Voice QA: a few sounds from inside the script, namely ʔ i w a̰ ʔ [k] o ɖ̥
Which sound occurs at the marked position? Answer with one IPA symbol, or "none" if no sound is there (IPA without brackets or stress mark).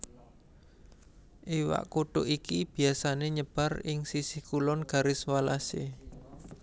k